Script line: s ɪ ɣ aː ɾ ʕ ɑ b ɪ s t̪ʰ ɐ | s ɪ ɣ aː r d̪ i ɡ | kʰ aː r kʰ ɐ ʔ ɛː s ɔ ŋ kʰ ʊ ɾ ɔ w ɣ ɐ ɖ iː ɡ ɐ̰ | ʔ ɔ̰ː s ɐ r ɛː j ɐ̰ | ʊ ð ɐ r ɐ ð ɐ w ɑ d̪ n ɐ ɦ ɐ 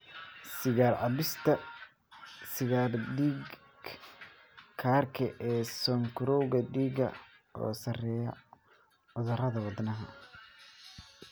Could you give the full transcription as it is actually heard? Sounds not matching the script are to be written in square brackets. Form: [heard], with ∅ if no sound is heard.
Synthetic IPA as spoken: s ɪ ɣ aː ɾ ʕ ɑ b ɪ s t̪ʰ ɐ | s ɪ ɣ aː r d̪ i ɡ | kʰ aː r kʰ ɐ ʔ ɛː s ɔ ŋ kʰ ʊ ɾ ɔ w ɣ ɐ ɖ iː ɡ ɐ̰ | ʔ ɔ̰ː s ɐ r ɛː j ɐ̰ | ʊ ð ɐ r ɐ ð ɐ w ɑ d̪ n ɐ ɦ ɐ